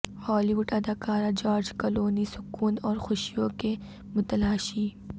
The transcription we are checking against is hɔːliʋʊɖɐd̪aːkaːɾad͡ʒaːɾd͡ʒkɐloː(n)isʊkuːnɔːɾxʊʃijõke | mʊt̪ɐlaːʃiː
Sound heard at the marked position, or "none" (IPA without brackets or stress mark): n